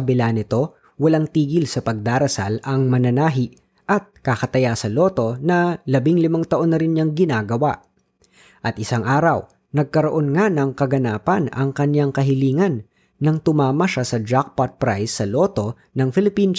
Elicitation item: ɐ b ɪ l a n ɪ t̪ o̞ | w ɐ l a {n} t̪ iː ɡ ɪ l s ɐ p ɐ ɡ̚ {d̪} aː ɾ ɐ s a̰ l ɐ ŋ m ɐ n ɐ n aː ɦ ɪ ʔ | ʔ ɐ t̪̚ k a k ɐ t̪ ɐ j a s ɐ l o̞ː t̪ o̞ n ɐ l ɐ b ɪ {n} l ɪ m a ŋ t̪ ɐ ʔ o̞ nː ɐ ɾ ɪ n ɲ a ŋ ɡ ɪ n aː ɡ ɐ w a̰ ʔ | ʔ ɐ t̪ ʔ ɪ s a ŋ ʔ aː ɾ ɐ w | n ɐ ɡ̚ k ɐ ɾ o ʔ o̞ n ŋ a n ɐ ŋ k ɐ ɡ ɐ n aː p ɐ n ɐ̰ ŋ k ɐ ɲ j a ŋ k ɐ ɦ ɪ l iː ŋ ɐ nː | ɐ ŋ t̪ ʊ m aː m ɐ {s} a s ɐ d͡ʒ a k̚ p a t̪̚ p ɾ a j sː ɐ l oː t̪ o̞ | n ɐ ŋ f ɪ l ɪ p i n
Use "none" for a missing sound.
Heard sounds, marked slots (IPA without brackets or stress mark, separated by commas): ŋ, d̪, ŋ, ʃ